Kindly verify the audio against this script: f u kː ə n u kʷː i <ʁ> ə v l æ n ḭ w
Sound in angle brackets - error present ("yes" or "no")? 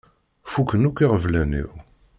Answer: no